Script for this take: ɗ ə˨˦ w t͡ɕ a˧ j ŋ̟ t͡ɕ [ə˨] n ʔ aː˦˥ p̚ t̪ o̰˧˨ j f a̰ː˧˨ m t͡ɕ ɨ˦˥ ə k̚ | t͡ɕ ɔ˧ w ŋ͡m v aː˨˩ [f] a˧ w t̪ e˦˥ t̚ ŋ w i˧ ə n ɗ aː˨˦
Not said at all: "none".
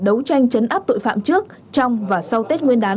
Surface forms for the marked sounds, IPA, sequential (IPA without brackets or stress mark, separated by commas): ə˨˦, s